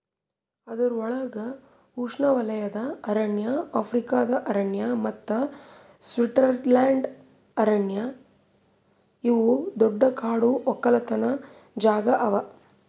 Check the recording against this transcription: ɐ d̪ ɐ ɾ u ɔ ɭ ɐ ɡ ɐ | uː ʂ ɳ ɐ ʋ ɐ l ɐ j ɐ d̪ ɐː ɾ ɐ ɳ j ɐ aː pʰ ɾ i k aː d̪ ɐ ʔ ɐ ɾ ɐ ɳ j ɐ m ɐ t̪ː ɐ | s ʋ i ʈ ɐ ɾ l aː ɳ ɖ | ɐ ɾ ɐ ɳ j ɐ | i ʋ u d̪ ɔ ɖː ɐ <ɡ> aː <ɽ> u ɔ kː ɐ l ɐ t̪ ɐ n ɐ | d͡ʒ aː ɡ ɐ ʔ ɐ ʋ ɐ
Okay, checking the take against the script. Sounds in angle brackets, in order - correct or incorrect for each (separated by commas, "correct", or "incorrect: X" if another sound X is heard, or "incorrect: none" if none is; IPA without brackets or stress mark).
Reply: incorrect: k, correct